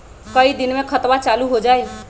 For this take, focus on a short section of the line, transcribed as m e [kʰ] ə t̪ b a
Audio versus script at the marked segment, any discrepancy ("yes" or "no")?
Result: no